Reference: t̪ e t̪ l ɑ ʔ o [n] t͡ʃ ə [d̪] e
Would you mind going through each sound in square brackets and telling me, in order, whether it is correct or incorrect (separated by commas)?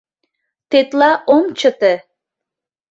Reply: incorrect, incorrect